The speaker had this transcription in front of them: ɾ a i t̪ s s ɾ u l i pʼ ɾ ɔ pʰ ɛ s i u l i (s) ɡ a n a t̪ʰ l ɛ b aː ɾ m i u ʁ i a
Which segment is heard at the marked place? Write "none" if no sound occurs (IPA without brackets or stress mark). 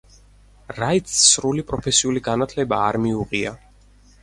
none